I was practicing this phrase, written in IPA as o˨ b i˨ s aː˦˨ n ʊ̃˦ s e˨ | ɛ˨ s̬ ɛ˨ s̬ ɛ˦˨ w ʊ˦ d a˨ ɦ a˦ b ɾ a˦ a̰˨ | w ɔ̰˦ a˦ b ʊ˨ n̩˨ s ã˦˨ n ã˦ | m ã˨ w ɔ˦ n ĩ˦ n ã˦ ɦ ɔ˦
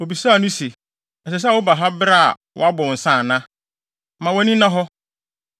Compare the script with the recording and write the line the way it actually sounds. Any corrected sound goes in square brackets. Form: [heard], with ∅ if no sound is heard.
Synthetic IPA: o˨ b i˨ s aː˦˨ n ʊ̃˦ s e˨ | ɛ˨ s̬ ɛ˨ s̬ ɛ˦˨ w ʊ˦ [b] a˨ ɦ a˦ b ɾ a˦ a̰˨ | w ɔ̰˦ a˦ b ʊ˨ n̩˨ s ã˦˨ n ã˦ | m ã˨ w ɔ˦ n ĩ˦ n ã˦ ɦ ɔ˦